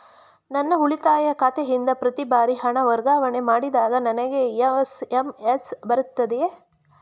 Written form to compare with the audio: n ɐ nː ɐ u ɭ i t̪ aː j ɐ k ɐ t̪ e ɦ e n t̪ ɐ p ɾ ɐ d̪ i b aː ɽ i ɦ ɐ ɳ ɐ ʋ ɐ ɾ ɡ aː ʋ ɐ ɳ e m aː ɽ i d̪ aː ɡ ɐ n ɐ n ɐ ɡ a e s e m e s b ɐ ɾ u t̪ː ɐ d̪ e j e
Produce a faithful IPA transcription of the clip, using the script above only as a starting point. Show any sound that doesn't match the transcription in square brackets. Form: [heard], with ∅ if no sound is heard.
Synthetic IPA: n ɐ nː ɐ u ɭ i t̪ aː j ɐ k ɐ t̪ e ɦ [i] n [d̪] ɐ p ɾ ɐ [t̪] i b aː [ɾ] i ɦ ɐ ɳ ɐ ʋ ɐ ɾ ɡ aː ʋ ɐ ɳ e m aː ɽ i d̪ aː ɡ ɐ n ɐ n ɐ ɡ [e] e s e m e s b ɐ ɾ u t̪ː ɐ d̪ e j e